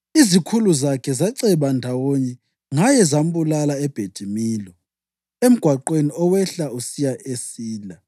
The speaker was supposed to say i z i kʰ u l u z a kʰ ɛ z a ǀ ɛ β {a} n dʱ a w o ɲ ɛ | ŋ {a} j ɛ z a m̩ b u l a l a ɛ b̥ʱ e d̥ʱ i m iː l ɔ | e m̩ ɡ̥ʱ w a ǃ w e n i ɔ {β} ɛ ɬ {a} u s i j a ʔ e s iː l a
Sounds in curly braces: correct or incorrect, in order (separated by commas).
correct, correct, incorrect, correct